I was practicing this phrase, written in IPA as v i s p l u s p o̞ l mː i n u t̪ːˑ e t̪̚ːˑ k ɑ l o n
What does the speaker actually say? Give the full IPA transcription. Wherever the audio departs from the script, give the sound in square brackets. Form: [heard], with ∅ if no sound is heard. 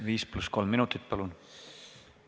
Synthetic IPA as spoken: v [iː] s p l u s [k] o̞ l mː i n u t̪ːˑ [i] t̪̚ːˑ [p] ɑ l [u] n